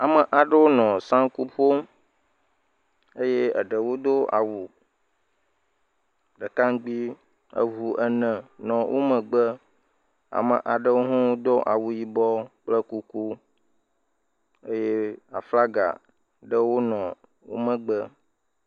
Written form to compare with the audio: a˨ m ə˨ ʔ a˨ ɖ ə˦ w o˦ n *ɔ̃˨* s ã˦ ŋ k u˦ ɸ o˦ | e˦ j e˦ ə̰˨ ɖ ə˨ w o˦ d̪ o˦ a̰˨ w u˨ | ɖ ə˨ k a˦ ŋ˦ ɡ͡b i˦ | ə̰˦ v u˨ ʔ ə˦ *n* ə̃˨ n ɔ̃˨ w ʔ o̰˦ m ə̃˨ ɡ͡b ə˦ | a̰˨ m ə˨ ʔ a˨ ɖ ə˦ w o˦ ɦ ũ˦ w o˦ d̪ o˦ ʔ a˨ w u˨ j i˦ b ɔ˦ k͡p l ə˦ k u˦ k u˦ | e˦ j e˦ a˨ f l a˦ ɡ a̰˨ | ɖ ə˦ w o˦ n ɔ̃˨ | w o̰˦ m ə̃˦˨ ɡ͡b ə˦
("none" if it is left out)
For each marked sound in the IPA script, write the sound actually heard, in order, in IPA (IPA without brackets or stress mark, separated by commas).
ɔ̃˨, n